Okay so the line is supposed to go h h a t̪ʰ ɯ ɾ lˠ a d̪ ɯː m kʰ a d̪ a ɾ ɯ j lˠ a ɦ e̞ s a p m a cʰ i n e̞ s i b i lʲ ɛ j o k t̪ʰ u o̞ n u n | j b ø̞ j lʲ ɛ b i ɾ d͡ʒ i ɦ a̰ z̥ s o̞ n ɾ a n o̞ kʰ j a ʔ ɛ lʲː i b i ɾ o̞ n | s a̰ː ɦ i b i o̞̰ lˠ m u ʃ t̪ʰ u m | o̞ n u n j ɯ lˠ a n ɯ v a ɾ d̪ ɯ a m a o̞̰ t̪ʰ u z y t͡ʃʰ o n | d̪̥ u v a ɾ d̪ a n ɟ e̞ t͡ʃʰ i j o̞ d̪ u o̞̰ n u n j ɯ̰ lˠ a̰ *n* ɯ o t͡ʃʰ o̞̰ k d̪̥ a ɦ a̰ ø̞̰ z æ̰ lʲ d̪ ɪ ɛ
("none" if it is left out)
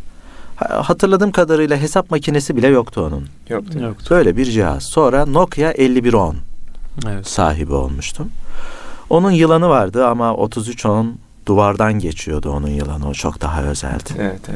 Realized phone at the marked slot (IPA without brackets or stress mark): n